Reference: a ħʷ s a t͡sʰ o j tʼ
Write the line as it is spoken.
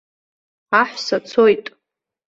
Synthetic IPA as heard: a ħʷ s a t͡sʰ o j tʼ

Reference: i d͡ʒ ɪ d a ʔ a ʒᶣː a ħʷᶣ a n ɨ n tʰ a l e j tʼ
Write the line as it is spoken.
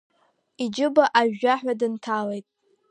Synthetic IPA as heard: i d͡ʒ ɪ b a ʔ a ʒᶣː a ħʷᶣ a d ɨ n tʰ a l e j tʼ

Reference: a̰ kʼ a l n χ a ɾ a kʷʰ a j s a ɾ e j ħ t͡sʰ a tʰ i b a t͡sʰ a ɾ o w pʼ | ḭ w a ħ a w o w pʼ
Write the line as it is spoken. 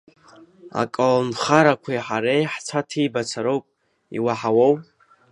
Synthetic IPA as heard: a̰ kʼ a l n χ a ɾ a kʷʰ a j ħ a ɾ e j ħ t͡sʰ a tʰ i b a t͡sʰ a ɾ o w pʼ | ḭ w a ħ a w o w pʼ

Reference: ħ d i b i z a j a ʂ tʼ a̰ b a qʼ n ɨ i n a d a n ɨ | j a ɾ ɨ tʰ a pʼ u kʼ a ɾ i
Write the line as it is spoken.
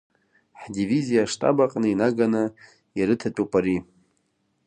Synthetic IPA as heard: ħ d i v i z i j a ʂ tʼ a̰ b a qʼ n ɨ i n a ɡ a n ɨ | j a ɾ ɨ tʰ a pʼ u pʼ a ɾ i

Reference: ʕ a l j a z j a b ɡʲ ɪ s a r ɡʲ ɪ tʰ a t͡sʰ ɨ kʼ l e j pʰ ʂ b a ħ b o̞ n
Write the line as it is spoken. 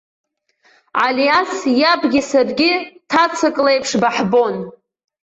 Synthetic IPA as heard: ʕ a l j a s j a b ɡʲ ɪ s a r ɡʲ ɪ tʰ a t͡sʰ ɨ kʼ l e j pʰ ʂ b a ħ b o̞ n

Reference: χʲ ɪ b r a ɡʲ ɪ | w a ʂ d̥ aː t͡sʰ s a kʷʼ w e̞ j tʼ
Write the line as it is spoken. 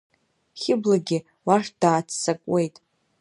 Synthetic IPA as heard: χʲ ɪ b l a ɡʲ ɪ | w a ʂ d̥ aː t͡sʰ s a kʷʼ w e̞ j tʼ

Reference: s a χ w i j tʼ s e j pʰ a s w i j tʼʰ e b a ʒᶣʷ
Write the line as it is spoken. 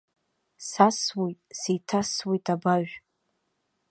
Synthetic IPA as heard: s a s w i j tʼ s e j tʰ a s w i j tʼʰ a b a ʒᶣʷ

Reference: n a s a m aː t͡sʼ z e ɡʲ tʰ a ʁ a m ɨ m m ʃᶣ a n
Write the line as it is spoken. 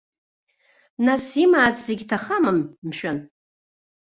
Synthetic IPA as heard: n a s i m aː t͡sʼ z e ɡʲ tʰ a χ a m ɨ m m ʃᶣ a n

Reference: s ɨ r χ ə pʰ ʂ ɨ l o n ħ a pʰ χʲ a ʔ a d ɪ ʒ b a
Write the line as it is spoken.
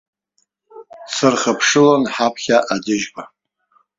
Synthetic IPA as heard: s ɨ r χ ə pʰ ʂ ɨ l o n ħ a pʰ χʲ a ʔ a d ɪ ʒ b a

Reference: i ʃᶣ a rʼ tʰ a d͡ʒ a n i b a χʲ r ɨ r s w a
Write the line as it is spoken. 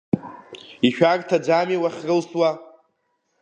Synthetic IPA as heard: i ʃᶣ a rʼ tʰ a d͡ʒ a m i w a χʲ r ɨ l s w a

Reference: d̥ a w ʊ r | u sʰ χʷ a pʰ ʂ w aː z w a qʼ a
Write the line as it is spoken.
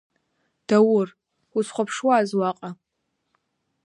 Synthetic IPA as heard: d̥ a w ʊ r | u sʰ χʷ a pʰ ʂ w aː z w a qʼ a

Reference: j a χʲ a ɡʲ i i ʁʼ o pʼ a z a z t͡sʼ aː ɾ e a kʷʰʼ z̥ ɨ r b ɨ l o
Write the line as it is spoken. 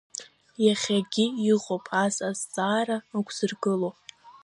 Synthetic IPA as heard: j a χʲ a ɡʲ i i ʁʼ o pʼ a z a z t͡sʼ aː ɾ a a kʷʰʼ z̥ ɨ r ɡ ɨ l o

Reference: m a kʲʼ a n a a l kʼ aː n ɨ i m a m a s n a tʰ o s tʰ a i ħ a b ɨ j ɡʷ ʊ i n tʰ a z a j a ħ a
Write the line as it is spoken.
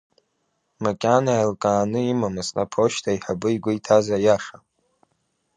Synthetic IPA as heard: m a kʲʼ a n a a l kʼ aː n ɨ i m a m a s n a pʰ o ʃ tʰ a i ħ a b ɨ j ɡʷ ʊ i tʰ a z a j a ʂ a

